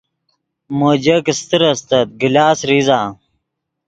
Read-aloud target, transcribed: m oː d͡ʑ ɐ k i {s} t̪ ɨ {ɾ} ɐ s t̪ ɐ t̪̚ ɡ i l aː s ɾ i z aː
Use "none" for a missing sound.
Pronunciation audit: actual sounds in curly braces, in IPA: s, ɾ

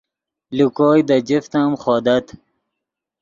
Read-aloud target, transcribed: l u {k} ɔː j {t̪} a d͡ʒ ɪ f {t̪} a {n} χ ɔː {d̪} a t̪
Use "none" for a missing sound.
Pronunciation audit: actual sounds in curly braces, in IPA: k, d̪, t̪, m, d̪

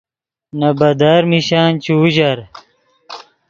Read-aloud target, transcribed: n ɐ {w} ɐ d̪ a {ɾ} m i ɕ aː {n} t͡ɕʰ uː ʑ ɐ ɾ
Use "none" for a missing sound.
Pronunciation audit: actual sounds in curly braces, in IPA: b, ɾ, n

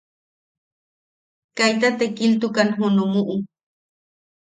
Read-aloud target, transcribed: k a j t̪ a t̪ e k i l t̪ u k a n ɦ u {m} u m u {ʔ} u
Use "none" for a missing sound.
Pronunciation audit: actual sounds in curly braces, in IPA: n, ʔ

